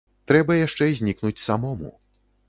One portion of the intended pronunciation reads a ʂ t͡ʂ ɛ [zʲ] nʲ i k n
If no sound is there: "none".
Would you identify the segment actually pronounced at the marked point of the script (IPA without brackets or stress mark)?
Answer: zʲ